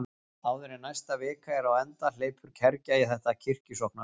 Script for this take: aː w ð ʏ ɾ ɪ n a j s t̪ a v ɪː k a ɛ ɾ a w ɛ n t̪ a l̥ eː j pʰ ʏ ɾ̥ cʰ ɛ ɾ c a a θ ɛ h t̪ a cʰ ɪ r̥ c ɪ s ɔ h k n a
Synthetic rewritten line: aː w ð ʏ ɾ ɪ n a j s t̪ a v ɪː k a ɛ ɾ a w ɛ n t̪ a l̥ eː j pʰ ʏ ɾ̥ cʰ ɛ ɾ c a i θ ɛ h t̪ a cʰ ɪ r̥ c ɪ s ɔ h k n a